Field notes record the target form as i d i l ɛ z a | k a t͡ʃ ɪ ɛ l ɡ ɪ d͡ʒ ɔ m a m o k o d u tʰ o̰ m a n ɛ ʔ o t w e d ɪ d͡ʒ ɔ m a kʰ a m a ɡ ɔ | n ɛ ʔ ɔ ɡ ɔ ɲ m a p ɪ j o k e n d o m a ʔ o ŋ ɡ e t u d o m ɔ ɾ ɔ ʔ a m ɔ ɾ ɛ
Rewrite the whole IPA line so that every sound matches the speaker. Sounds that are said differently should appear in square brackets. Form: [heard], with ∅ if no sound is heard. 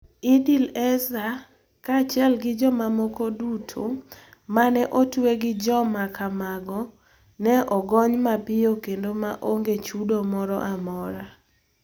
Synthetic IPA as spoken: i d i l ɛ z a | k a t͡ʃ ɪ ɛ l ɡ ɪ d͡ʒ ɔ m a m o k o d u tʰ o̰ m a n ɛ ʔ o t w e [ɡ] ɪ d͡ʒ ɔ m a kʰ a m a ɡ ɔ | n ɛ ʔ ɔ ɡ ɔ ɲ m a p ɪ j o k e n d o m a ʔ o ŋ ɡ e [t͡ʃ] u d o m ɔ ɾ ɔ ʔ a m ɔ ɾ [a]